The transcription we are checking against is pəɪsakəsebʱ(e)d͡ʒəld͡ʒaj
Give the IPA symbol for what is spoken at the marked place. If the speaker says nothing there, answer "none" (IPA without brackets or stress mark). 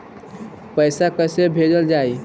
e